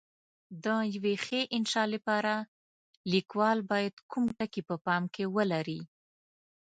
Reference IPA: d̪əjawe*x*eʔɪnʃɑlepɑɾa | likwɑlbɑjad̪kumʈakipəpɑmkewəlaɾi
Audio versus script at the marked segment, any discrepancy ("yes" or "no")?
no